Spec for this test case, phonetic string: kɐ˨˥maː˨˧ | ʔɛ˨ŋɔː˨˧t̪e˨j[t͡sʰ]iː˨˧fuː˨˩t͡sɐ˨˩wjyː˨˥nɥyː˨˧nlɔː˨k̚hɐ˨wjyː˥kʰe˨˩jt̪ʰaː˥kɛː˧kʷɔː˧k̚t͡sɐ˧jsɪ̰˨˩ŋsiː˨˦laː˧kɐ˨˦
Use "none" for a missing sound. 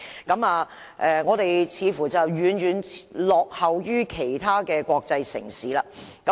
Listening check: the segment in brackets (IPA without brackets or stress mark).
t͡sʰ